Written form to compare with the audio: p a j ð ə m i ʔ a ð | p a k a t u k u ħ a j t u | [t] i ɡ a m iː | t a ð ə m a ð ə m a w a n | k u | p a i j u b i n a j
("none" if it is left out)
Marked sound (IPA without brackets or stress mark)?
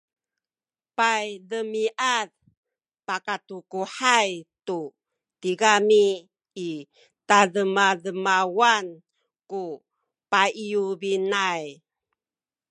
t